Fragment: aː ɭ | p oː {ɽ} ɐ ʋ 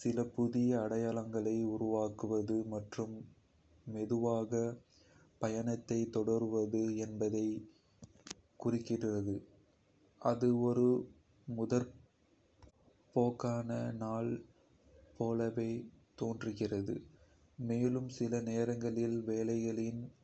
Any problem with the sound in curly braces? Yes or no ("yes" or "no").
yes